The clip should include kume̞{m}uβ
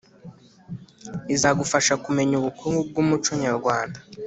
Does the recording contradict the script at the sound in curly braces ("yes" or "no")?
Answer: yes